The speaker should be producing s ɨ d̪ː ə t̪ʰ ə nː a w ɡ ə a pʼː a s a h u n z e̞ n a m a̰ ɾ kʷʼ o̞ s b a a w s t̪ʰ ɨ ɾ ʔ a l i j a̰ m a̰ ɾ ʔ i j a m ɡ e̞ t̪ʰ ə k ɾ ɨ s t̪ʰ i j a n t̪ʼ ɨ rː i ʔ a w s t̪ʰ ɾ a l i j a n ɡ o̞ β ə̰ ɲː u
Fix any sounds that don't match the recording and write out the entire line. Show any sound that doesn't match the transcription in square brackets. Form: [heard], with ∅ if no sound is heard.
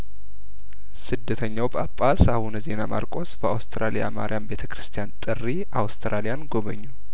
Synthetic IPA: s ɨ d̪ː ə t̪ʰ ə [ɲː] a w [b] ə a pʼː a s a h u n z e̞ n a m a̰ ɾ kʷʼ o̞ s b [ə] a w s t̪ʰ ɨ ɾ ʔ a l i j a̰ m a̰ ɾ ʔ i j a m [b] e̞ t̪ʰ ə k ɾ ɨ s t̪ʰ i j a n t̪ʼ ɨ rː i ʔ a w s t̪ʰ ɾ a l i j a n ɡ o̞ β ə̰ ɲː u

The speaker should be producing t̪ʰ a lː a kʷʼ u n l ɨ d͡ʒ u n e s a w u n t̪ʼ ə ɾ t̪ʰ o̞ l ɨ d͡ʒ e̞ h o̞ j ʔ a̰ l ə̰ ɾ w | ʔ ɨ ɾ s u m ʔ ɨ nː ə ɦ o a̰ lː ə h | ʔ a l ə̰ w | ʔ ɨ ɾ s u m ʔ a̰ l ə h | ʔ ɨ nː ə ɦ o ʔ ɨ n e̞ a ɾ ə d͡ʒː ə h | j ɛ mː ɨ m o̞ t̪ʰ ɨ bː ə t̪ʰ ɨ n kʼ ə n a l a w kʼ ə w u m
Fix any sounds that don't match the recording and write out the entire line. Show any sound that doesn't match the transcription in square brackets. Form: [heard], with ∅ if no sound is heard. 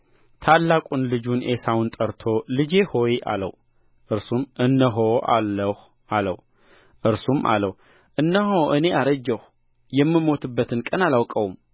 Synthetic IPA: t̪ʰ a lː a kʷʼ u n l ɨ d͡ʒ u n e s a w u n t̪ʼ ə ɾ t̪ʰ o̞ l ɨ d͡ʒ e̞ h o̞ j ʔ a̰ l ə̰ [∅] w | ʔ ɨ ɾ s u m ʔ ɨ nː ə ɦ o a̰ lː ə h | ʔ a l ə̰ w | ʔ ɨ ɾ s u m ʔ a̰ l ə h | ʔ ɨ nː ə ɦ o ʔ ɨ n e̞ a ɾ ə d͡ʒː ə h | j ɛ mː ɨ m o̞ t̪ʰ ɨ bː ə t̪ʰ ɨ n kʼ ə n a l a w kʼ ə w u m

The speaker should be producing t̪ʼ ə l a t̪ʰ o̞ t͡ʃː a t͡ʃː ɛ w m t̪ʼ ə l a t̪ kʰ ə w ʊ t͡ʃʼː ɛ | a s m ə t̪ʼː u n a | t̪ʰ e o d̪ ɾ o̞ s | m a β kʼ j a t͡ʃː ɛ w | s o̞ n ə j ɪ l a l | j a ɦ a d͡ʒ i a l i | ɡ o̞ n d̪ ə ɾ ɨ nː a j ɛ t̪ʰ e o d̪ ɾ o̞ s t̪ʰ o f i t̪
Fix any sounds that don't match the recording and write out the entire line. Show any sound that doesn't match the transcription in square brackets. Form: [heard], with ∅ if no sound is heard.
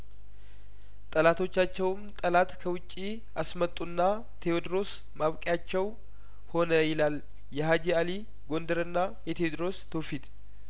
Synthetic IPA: t̪ʼ ə l a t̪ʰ o̞ t͡ʃː a t͡ʃː ɛ w m t̪ʼ ə l a t̪ kʰ ə w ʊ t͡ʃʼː [i] | a s m ə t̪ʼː u [nː] a | t̪ʰ e o d̪ ɾ o̞ s | m a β kʼ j a t͡ʃː ɛ w | [h] o̞ n ə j ɪ l a l | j [ɛ] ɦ a d͡ʒ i a l i | ɡ o̞ n d̪ ə ɾ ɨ nː a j ɛ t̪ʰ e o d̪ ɾ o̞ s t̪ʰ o f i t̪

